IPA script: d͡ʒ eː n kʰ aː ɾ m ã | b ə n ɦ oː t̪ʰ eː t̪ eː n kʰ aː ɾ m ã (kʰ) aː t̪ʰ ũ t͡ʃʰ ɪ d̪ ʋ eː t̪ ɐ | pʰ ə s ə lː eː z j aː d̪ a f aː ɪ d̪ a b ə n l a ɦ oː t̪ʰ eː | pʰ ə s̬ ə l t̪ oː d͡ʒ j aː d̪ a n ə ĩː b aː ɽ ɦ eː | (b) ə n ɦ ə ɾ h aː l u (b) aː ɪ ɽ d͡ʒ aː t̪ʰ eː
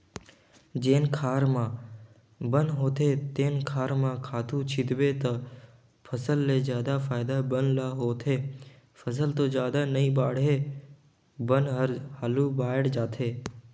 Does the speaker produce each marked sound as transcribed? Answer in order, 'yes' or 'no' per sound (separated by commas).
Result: yes, yes, yes